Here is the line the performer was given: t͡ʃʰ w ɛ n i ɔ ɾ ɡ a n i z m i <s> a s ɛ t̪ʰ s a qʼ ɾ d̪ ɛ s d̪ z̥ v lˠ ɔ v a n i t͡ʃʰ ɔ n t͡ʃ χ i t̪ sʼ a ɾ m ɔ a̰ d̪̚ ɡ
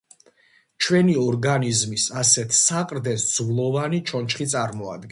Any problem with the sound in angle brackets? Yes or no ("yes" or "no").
no